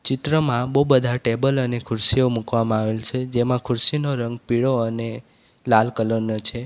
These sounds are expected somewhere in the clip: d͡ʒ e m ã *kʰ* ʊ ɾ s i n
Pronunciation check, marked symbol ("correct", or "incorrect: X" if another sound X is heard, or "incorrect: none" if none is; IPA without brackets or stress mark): correct